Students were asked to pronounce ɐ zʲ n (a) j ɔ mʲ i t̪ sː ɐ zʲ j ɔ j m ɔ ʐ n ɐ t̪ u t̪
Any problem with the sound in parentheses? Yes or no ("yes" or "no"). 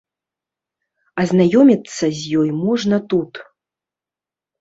no